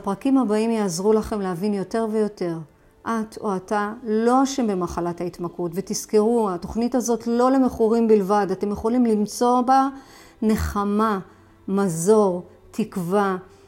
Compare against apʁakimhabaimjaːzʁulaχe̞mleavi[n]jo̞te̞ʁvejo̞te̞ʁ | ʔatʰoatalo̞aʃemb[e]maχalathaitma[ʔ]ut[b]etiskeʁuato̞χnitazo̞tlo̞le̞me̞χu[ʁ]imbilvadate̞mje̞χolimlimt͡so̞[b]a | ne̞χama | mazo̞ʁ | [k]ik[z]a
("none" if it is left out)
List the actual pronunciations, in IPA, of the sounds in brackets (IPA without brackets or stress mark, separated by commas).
n, e, k, v, ʁ, b, t, v